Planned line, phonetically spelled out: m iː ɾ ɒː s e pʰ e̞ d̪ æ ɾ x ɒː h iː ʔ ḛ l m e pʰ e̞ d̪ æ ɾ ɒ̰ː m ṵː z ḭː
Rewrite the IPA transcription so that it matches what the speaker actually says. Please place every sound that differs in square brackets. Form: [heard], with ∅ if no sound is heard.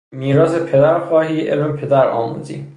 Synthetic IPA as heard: m iː ɾ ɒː s e pʰ e̞ d̪ æ ɾ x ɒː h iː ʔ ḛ l m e pʰ e̞ d̪ æ ɾ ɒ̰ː m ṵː z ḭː